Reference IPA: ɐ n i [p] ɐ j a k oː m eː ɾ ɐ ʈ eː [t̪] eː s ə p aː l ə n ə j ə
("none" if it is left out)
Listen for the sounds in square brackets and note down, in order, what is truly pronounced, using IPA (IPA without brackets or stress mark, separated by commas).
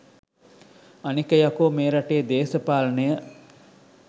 k, d̪